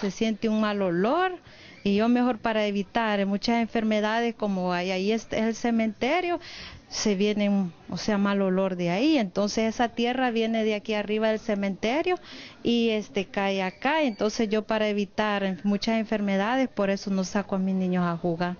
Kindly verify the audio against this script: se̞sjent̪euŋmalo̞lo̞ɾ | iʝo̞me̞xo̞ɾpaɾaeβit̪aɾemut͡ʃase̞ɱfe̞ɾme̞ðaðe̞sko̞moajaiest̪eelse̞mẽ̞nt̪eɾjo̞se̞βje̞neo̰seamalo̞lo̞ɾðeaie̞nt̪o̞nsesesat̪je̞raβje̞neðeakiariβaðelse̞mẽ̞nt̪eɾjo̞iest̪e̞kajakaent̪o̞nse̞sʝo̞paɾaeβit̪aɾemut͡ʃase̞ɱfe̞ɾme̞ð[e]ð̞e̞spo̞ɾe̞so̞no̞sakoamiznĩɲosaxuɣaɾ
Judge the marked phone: incorrect: a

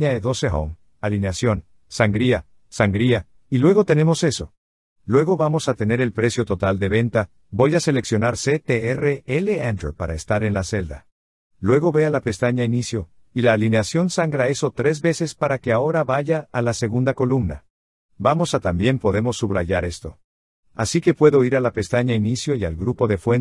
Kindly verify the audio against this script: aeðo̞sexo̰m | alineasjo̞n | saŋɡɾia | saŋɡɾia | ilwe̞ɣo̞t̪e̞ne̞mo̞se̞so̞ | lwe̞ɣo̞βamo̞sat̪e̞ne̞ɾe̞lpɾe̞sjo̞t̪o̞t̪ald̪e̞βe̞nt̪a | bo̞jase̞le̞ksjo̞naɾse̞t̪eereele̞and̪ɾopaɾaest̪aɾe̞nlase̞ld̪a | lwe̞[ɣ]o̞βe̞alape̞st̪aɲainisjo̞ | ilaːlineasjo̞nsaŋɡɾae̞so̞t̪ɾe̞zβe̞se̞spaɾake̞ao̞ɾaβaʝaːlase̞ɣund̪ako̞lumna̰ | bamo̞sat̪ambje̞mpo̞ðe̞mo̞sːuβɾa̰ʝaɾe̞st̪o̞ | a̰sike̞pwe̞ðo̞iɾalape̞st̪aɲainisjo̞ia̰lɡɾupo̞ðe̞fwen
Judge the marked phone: correct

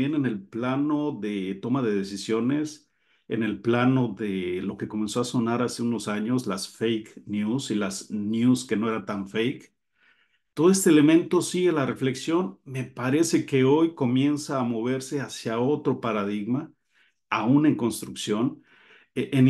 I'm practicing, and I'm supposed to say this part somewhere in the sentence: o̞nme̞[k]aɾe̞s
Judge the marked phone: incorrect: p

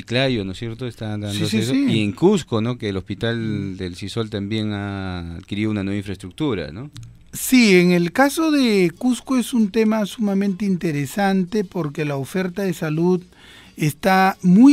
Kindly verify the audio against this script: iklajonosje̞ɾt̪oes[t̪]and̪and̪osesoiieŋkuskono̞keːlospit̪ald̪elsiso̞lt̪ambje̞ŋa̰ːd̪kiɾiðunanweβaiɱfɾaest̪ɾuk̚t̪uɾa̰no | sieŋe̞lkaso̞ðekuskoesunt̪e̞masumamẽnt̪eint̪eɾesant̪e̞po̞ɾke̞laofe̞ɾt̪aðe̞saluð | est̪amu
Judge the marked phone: correct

